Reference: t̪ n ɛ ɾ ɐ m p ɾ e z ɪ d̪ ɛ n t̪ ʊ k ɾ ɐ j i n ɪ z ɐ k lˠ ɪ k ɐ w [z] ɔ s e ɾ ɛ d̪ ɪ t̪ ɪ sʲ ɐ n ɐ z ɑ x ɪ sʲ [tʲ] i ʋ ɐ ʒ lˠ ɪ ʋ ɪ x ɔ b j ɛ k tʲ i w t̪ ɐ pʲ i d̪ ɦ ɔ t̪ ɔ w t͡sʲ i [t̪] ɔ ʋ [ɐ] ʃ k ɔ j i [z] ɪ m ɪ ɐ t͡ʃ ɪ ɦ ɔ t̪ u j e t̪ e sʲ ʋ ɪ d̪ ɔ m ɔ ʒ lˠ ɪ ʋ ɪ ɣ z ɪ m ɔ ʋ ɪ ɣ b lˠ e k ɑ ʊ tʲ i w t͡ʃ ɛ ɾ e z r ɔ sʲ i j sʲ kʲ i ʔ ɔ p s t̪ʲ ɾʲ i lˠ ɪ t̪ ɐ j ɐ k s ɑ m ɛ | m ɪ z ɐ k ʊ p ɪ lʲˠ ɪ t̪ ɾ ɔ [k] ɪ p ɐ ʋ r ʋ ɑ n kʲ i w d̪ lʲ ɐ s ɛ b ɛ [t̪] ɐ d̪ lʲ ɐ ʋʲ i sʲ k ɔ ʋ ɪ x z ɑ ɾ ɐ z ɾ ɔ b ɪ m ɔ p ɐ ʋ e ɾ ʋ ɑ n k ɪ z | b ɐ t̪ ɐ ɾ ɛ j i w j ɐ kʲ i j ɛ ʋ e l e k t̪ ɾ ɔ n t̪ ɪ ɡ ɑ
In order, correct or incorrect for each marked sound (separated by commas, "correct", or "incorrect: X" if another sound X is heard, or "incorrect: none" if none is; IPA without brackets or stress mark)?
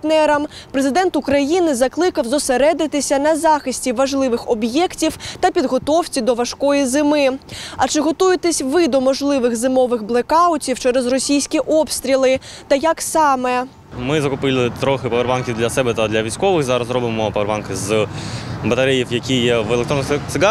correct, correct, incorrect: d̪, correct, correct, incorrect: x, correct